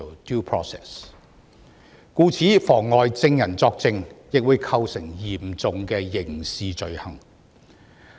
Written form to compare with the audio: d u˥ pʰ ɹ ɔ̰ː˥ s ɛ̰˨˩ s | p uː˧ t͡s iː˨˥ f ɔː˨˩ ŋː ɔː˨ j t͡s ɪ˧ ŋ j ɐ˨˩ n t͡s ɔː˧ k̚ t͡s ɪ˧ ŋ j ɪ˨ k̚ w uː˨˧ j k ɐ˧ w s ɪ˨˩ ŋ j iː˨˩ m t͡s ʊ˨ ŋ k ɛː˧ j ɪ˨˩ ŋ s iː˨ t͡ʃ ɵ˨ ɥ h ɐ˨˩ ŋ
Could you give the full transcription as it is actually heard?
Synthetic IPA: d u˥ pʰ ɹ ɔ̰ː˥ s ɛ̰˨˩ s | k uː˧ t͡sʰ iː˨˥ f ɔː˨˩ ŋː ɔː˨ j t͡s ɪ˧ ŋ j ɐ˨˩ n t͡s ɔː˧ k̚ t͡s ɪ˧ ŋ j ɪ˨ k̚ w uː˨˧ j kʰ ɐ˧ w s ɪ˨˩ ŋ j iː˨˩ m t͡s ʊ˨ ŋ k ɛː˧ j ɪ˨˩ ŋ s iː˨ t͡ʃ ɵ˨ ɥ h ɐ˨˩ ŋ